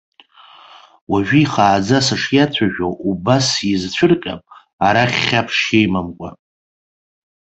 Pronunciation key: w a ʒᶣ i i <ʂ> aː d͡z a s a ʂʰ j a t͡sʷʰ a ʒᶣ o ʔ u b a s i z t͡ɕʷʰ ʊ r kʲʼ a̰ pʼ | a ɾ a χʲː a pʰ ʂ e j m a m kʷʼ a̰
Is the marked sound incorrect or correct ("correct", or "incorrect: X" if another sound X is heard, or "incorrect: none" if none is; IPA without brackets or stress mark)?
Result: incorrect: χ